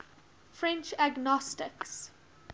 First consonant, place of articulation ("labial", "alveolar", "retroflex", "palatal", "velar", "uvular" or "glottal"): labial